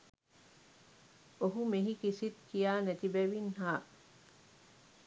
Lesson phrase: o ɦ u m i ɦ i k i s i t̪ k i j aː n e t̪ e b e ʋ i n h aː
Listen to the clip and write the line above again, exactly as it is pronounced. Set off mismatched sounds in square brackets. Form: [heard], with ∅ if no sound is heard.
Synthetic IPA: o ɦ u m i ɦ i k i s i t̪ k i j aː n e t̪ [i] b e ʋ i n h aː